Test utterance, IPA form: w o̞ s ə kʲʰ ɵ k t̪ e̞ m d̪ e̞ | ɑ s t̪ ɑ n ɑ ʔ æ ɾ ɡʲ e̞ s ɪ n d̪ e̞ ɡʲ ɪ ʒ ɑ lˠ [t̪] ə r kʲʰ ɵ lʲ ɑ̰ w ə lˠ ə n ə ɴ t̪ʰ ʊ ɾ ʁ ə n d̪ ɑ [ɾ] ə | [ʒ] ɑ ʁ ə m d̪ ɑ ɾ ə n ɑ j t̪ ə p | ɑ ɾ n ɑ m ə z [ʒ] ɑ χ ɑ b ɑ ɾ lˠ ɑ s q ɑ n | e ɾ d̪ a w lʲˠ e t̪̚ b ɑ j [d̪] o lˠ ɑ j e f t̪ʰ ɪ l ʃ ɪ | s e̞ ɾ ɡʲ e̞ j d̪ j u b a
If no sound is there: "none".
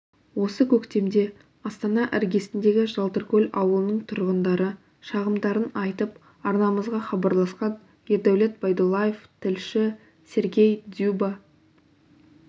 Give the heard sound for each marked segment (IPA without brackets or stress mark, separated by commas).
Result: t̪, ɾ, ʃ, ʁ, d̪